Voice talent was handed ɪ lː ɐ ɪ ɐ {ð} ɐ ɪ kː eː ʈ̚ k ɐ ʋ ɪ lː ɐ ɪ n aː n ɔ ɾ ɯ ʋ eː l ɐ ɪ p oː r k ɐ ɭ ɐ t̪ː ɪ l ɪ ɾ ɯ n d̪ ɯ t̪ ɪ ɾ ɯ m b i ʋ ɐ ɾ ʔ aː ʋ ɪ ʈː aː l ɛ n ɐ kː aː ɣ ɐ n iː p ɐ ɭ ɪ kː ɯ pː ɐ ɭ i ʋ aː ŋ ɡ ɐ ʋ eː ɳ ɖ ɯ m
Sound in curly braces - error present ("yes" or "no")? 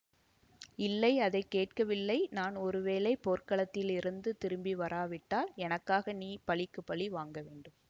no